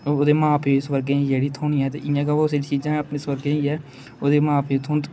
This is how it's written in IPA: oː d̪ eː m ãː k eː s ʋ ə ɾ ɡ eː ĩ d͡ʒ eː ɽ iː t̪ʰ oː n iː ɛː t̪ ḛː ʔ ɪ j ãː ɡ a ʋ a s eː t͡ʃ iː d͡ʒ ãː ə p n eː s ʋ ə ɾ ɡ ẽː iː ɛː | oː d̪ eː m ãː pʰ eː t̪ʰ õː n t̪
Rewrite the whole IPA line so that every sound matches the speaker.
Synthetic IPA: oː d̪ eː m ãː p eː s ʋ ə ɾ ɡ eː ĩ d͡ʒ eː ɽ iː t̪ʰ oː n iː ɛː t̪ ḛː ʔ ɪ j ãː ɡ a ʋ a s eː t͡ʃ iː d͡ʒ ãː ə p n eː s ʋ ə ɾ ɡ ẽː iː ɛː | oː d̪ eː m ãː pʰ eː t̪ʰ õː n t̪